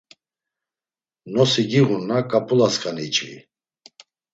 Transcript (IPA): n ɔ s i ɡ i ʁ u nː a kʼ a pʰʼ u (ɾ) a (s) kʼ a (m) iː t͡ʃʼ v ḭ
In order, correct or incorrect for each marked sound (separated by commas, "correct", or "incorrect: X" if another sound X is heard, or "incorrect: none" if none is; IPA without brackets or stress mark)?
incorrect: l, correct, incorrect: n